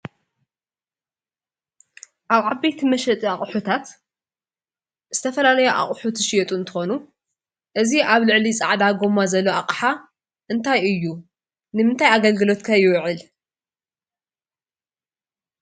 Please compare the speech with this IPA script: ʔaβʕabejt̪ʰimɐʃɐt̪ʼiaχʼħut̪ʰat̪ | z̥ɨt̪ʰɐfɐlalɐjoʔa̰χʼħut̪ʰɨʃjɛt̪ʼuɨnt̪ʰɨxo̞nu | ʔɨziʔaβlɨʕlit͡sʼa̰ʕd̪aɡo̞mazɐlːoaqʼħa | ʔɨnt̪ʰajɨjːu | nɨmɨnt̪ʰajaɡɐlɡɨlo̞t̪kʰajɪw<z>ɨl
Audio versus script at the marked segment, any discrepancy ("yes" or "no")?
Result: yes